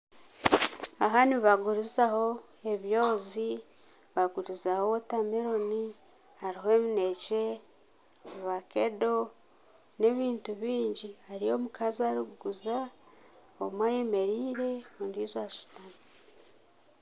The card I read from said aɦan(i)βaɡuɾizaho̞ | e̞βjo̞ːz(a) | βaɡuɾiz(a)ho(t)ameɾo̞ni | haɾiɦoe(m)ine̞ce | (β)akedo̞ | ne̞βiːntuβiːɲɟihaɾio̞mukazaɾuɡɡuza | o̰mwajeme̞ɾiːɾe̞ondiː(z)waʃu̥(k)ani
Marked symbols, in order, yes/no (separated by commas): yes, no, yes, yes, yes, yes, yes, no